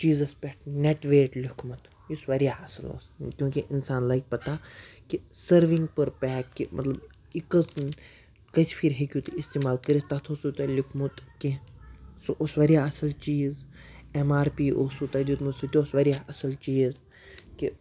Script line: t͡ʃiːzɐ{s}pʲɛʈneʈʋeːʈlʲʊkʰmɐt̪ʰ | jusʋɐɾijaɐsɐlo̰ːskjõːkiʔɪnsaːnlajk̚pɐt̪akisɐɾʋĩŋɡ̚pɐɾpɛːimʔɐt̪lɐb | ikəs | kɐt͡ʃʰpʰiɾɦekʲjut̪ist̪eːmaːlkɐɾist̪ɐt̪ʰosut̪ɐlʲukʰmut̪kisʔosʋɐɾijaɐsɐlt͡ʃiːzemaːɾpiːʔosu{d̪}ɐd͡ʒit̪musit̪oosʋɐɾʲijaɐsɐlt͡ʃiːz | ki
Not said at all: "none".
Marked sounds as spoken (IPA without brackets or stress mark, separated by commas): s, t̪